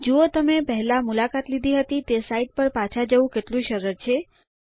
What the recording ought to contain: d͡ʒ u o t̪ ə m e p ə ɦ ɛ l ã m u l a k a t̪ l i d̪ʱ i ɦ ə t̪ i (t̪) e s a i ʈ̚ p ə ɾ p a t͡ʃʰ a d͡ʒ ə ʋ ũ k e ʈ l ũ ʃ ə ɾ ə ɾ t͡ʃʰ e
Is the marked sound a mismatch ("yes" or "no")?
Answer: no